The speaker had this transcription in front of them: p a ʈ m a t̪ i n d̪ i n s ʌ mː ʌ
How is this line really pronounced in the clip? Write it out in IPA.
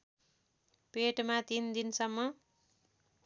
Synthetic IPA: p e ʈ m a t̪ i n d̪ i n s ʌ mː ʌ